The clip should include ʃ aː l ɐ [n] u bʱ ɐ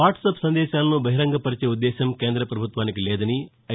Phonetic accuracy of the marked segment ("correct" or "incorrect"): correct